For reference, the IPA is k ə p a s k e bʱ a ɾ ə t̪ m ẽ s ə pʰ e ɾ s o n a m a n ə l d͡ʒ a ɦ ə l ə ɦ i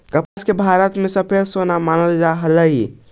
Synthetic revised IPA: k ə p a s k e bʱ a ɾ ə t̪ m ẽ s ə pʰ e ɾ s o n a m a n ə l d͡ʒ a ɦ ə l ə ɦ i